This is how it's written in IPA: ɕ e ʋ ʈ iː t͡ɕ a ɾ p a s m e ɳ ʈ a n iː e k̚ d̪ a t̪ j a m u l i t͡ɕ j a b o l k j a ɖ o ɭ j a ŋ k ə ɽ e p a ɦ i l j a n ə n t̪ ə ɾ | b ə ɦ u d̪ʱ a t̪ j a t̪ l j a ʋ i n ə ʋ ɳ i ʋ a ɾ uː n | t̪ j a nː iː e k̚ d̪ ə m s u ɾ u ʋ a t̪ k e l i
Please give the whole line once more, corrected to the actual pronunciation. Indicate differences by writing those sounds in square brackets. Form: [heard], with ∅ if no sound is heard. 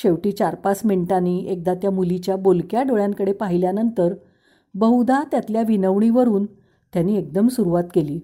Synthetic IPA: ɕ e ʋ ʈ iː t͡ɕ a ɾ p a s m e ɳ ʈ a n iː e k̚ d̪ a t̪ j a m u l i t͡ɕ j a b o l k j a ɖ o ɭ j a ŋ k ə ɽ e p a ɦ i l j a n ə n t̪ ə ɾ | b ə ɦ u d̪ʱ a t̪ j a t̪ l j a ʋ i n ə ʋ ɳ i ʋ [ə] ɾ uː n | t̪ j a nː iː e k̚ d̪ ə m s u ɾ u ʋ a t̪ k e l [iː]